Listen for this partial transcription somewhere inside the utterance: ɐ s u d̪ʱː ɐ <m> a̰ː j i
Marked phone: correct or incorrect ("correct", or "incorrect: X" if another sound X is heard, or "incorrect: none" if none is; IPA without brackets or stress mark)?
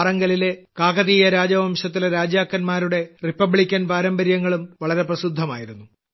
correct